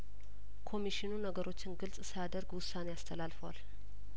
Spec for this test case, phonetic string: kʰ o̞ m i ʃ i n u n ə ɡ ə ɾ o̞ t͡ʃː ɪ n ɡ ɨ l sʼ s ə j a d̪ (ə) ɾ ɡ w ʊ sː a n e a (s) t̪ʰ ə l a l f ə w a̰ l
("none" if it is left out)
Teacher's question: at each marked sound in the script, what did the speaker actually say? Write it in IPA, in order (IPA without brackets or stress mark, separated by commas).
ə, s